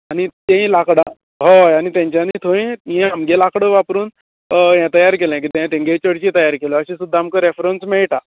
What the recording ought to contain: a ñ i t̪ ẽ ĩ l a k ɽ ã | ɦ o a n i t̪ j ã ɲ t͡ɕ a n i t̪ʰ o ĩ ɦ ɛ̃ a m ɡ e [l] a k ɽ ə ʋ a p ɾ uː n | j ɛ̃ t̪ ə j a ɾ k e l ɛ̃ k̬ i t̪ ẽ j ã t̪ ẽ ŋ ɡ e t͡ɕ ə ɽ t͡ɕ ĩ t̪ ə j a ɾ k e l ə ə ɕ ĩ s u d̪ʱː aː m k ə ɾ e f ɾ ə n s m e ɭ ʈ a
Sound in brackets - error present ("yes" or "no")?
no